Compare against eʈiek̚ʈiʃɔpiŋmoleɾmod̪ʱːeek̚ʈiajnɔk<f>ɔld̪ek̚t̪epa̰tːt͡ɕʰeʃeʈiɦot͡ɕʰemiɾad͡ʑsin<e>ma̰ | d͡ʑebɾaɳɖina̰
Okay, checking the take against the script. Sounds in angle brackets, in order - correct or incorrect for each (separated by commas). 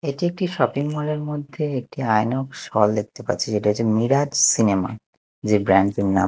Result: incorrect, correct